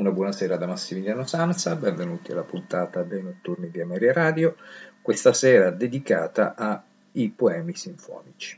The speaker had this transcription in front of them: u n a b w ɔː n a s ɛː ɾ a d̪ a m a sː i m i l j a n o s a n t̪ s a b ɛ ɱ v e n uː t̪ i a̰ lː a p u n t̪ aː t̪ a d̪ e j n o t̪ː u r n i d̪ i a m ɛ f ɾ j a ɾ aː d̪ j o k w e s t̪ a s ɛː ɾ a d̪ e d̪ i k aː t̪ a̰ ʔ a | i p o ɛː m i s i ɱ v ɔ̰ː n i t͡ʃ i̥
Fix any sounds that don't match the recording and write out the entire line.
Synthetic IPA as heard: u n a b w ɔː n a s ɛː ɾ a d̪ a m a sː i m i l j a n o s a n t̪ s a b ɛ ɱ v e n uː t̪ i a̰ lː a p u n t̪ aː t̪ a d̪ e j n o t̪ː u r n i d̪ i a m ɛ ɾ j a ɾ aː d̪ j o k w e s t̪ a s ɛː ɾ a d̪ e d̪ i k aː t̪ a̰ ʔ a | i p o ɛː m i s i ɱ f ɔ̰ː n i t͡ʃ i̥